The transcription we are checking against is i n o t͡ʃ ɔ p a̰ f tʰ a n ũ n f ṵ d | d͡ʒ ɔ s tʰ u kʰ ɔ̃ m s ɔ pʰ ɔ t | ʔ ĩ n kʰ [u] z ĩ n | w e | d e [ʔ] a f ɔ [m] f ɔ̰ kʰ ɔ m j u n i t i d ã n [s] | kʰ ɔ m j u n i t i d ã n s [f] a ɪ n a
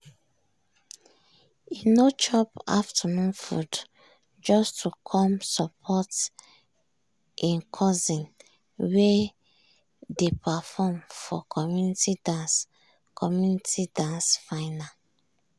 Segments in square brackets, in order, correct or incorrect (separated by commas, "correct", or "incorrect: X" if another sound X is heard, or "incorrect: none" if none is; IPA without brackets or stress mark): incorrect: ɔ, incorrect: p, correct, correct, correct